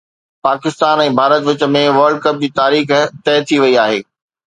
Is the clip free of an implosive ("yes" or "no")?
yes